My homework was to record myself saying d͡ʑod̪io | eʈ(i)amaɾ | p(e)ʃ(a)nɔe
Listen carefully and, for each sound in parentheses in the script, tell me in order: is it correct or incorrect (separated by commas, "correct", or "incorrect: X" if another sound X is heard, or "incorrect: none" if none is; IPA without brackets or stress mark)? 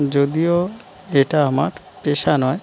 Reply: incorrect: a, correct, correct